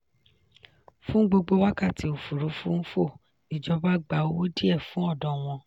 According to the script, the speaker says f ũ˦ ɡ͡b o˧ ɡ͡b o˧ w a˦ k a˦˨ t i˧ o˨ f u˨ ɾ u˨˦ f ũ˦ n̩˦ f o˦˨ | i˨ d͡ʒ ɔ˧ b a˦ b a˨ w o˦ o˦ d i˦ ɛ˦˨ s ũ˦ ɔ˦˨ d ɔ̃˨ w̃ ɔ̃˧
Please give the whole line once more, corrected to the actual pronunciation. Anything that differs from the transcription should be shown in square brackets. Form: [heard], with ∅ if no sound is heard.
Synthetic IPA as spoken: f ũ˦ ɡ͡b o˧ ɡ͡b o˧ w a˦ k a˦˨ t i˧ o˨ f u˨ ɾ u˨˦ f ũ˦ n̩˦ f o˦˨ | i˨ d͡ʒ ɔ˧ b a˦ [ɡ͡b] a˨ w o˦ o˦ d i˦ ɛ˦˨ [f] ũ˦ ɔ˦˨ d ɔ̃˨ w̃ ɔ̃˧

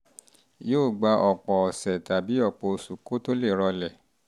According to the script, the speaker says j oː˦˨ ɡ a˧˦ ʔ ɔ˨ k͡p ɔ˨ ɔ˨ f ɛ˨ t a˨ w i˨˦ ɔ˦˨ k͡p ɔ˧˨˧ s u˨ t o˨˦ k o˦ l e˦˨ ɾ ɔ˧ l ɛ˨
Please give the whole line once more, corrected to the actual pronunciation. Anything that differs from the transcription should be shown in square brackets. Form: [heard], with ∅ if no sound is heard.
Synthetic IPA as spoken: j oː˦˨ [ɡ͡b] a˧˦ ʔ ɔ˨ k͡p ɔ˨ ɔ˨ [s] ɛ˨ t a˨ [b] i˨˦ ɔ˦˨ k͡p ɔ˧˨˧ s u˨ [k] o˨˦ [t] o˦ l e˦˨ ɾ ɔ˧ l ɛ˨

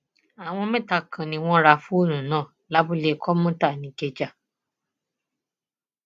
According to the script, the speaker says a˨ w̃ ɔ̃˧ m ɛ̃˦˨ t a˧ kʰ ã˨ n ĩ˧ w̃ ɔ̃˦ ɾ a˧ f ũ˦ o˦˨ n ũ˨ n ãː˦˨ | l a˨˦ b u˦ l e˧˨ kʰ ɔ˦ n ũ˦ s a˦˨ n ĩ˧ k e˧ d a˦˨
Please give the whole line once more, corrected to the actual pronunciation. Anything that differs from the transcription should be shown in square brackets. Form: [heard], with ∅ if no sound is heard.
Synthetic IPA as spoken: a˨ w̃ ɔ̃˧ m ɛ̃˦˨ t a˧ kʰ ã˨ n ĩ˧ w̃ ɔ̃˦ ɾ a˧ f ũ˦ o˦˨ n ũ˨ n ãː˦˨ | l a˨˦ b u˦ l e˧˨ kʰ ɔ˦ [m] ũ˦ [t] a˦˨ n ĩ˧ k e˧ [d͡ʒ] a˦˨

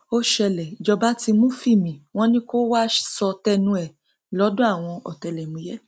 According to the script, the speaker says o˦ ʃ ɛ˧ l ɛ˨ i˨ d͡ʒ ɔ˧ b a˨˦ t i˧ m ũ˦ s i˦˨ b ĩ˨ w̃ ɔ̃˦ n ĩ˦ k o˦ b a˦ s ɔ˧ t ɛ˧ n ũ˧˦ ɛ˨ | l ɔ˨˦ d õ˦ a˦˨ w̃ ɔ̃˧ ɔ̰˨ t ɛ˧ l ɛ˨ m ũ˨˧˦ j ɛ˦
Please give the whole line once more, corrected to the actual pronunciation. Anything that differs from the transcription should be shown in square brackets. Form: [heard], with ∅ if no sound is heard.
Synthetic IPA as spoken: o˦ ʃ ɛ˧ l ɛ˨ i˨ d͡ʒ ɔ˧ b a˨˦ t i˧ m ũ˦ [f] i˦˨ [m] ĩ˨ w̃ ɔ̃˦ n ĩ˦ k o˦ [w] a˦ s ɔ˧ t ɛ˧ n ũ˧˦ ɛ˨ | l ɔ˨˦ d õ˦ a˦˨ w̃ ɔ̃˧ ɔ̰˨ t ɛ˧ l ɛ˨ m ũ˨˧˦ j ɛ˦

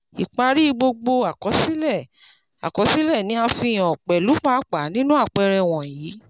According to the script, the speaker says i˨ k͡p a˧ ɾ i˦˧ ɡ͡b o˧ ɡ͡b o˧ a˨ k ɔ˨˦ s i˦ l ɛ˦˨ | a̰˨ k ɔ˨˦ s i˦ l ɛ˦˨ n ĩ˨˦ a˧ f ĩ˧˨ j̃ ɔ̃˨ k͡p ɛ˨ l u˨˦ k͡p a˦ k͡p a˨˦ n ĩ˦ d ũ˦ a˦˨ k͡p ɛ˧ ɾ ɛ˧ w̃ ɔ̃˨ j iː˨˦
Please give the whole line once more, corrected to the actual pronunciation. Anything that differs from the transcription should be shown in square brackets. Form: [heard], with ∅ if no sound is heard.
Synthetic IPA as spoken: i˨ k͡p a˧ ɾ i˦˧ ɡ͡b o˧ ɡ͡b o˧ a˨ k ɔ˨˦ s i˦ l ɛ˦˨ | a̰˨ k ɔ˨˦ s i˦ l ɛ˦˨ n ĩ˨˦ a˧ f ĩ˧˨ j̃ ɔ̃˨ k͡p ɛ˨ l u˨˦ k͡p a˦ k͡p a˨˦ n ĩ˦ [n] ũ˦ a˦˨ k͡p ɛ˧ ɾ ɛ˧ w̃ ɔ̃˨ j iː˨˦

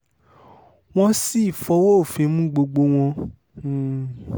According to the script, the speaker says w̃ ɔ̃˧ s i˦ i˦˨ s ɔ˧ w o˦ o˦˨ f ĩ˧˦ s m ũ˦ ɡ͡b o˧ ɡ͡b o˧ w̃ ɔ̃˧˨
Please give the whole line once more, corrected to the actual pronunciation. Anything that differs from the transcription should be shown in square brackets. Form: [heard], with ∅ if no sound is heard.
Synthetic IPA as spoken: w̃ ɔ̃˧ s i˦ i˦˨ [f] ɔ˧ w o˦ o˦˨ f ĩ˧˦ [∅] m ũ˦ ɡ͡b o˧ ɡ͡b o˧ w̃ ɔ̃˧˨

